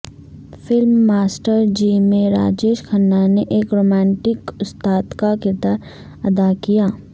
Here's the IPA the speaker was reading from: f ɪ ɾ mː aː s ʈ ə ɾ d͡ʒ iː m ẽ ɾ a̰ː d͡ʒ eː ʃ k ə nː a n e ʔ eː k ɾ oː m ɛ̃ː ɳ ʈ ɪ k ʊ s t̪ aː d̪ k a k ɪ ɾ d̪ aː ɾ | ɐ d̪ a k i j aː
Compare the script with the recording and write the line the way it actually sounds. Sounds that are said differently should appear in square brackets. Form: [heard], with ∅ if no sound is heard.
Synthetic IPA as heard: f ɪ [l] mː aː s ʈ ə ɾ d͡ʒ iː m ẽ ɾ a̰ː d͡ʒ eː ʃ [kʰ] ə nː a n e ʔ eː k ɾ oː m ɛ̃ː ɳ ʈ ɪ k ʊ s t̪ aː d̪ k a k ɪ ɾ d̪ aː ɾ | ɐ d̪ a k i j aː